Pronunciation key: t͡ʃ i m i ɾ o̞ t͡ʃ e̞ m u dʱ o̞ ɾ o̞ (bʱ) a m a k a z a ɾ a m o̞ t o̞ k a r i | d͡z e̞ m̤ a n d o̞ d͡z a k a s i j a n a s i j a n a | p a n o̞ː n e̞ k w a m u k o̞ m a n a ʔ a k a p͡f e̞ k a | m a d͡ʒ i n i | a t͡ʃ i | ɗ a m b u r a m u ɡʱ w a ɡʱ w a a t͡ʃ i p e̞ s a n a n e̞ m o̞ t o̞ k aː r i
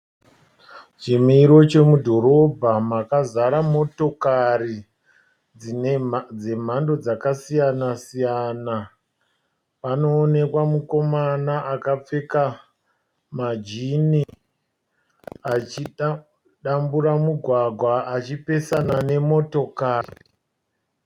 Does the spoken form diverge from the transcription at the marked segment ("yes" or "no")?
no